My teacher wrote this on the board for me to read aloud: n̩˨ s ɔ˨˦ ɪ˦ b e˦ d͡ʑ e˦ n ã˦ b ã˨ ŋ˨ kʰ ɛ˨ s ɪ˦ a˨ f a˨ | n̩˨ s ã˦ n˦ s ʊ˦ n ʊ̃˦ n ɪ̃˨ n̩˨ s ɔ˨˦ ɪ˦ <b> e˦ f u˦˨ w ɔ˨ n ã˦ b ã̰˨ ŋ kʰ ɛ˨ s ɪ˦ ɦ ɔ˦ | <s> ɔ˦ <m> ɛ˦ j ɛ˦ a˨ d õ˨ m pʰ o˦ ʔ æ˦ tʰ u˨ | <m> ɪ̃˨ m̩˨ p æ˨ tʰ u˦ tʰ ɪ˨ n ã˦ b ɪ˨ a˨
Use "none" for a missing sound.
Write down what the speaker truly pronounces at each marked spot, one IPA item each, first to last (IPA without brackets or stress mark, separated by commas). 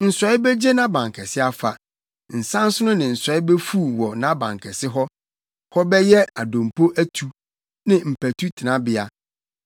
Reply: b, h, b, n